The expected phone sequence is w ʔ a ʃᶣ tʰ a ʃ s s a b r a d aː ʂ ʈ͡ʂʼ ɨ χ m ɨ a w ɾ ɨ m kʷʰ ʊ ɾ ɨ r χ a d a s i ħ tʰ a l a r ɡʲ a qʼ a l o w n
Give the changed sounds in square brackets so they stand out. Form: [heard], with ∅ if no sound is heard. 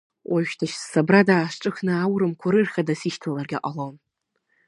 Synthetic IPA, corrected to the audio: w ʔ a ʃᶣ tʰ a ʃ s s a b r a d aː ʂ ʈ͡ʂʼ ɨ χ [n] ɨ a w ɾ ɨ m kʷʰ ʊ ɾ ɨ r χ a d a s i [ʃ] tʰ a l a r ɡʲ a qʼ a l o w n